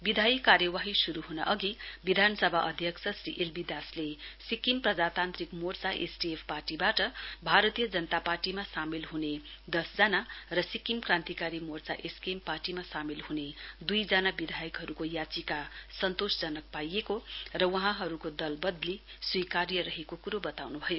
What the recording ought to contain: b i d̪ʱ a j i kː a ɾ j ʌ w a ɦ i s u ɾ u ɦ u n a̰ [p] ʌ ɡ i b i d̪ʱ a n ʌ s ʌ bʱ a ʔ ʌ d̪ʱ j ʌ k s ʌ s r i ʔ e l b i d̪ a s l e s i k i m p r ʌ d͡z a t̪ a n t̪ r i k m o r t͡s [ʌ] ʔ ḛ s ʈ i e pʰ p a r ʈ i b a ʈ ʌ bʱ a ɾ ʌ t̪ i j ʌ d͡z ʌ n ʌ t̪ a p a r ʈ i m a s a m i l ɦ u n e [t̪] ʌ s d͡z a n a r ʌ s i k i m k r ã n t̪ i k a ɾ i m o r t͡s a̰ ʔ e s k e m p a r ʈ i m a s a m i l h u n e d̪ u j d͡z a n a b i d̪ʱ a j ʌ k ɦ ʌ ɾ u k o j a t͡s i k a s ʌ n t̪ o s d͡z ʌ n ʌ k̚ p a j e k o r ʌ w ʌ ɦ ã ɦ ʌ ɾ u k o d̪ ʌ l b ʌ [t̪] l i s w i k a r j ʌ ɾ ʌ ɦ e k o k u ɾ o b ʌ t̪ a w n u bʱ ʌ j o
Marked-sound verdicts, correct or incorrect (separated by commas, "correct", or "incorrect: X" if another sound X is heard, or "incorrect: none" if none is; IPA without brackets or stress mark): incorrect: ʔ, incorrect: a, incorrect: d̪, incorrect: d̪